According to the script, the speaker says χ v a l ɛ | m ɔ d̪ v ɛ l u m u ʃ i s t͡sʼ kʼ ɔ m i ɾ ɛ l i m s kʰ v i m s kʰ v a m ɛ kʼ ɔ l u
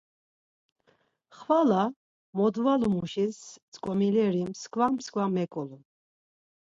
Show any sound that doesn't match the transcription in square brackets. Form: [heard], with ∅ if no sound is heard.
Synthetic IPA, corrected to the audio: χ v a l [a] | m ɔ d̪ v [a] l u m u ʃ i s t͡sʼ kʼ ɔ m i [l] ɛ [ɾ] i m s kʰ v [a] m s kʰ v a m ɛ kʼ ɔ l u